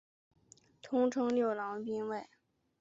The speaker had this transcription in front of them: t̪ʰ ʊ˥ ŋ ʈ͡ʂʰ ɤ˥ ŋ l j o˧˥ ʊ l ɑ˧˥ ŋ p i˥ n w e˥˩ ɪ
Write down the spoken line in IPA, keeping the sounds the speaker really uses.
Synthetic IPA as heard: t̪ʰ ʊ˥ ŋ ʈ͡ʂʰ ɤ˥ ŋ l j o˥˩ ʊ l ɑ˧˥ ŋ p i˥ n w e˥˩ ɪ